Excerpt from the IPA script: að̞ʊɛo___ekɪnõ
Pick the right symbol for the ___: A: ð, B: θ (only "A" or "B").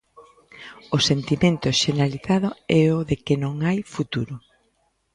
A